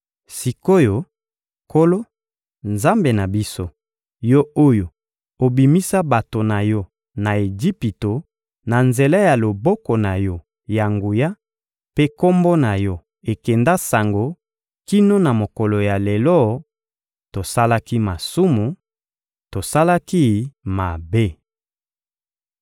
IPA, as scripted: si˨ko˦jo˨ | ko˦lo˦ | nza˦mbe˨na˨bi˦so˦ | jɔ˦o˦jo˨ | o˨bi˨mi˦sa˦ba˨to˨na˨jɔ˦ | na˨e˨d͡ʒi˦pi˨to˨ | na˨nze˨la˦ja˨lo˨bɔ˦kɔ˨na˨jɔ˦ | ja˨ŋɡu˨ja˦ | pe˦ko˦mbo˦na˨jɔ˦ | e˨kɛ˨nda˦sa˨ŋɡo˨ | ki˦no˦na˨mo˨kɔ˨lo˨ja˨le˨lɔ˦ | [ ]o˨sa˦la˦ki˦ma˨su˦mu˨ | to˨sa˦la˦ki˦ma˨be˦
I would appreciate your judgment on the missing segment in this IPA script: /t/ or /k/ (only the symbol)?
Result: t